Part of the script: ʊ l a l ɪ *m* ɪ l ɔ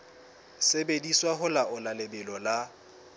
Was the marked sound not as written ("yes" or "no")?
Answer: yes